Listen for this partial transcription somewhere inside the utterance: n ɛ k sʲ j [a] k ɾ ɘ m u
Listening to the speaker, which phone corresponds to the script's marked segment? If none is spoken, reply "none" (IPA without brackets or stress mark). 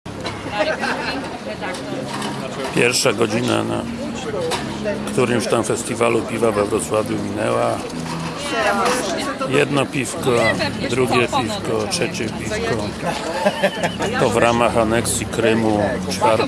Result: i